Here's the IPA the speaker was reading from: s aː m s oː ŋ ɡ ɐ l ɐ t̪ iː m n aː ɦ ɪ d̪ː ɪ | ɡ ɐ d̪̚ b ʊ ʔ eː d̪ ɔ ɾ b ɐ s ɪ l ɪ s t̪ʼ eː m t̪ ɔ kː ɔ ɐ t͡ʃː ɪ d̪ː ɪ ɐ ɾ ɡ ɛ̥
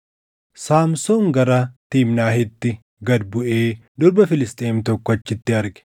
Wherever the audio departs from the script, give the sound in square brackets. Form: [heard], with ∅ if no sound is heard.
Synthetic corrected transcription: s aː m s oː ŋ ɡ ɐ [ɾ] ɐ t̪ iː m n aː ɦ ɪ [t̪ː] ɪ | ɡ ɐ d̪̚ b ʊ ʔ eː d̪ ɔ ɾ b ɐ [f] ɪ l ɪ s t̪ʼ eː m t̪ ɔ kː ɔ ɐ t͡ʃː ɪ [t̪ː] ɪ ɐ ɾ ɡ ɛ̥